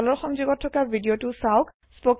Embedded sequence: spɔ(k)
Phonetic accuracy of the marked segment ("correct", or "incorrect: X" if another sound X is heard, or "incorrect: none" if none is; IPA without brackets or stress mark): correct